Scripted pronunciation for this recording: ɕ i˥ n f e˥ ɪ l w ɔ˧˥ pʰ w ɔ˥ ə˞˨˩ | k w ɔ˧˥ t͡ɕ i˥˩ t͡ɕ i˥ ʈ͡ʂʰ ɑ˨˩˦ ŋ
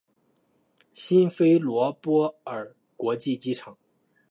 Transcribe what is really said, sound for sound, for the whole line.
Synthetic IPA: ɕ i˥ n f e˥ ɪ l w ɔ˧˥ p w ɔ˥ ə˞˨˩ | k w ɔ˧˥ t͡ɕ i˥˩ t͡ɕ i˥ ʈ͡ʂʰ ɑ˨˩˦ ŋ